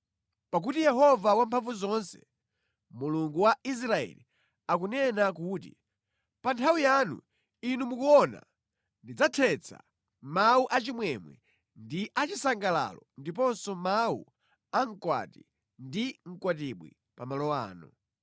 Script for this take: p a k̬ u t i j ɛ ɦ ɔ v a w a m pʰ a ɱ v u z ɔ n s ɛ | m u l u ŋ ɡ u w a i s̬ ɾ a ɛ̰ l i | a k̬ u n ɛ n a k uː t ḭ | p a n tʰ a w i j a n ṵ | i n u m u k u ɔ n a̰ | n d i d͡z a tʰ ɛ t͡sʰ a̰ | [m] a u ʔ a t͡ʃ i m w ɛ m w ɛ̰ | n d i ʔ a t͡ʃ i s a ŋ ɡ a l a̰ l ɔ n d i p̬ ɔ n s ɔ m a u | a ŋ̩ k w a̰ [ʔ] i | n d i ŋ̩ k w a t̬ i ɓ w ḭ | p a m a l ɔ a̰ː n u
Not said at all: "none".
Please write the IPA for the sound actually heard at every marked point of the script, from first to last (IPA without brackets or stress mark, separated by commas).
m, t